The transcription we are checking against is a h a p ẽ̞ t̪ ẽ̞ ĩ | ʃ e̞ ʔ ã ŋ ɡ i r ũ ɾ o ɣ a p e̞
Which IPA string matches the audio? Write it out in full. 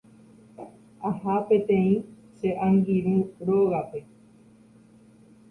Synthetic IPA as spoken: a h a p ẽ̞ t̪ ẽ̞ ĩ | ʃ e̞ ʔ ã ŋ ɡ i ɾ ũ ɾ o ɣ a p e̞